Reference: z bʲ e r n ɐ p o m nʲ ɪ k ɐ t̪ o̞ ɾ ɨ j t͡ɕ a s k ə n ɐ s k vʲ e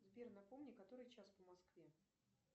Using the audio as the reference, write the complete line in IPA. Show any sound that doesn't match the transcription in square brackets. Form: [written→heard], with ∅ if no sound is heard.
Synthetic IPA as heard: z bʲ e r n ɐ p o m nʲ ɪ k ɐ t̪ o̞ ɾ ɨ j t͡ɕ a s [k→p] ə [n→m] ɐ s k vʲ e